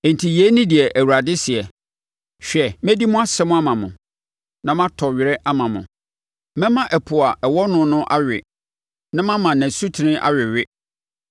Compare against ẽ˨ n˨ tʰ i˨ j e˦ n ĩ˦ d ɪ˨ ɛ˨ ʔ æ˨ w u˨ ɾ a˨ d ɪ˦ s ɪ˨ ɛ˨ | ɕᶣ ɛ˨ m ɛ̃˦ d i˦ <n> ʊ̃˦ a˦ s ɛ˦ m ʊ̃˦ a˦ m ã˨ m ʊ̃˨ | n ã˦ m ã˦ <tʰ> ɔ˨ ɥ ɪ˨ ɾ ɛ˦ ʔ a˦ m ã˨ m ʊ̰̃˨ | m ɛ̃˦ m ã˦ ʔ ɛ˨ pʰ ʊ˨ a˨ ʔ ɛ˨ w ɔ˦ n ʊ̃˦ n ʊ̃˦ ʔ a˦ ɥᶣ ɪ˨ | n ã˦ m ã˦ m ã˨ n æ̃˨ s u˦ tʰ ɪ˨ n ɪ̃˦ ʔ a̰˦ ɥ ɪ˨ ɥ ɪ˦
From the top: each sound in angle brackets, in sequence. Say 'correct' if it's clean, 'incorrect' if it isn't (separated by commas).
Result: incorrect, correct